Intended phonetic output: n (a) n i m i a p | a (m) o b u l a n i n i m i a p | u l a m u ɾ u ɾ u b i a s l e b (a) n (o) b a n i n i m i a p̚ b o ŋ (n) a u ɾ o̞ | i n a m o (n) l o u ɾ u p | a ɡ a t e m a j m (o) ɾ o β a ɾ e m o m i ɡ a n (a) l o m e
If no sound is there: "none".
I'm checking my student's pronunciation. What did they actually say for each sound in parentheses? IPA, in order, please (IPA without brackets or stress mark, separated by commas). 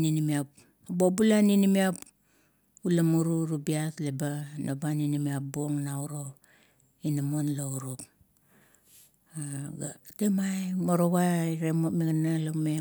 i, b, a, o, n, n, o, a